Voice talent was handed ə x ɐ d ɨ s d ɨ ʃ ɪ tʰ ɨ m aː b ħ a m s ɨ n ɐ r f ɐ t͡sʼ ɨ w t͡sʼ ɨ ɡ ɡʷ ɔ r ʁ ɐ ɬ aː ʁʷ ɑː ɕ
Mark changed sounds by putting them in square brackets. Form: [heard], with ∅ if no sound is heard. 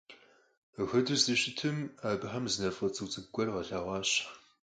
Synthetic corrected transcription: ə x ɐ d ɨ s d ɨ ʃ ɪ tʰ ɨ m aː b ħ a m [z] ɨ n ɐ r f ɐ t͡sʼ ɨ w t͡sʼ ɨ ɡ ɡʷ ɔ r ʁ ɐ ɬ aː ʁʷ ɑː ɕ